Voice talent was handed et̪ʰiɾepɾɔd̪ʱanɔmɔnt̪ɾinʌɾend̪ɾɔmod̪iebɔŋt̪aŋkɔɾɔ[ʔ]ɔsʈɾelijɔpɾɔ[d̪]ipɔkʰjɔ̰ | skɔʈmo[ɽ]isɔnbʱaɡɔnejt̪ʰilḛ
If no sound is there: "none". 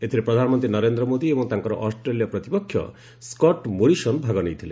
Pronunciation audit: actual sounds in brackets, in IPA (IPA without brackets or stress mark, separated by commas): ʔ, t̪, ɾ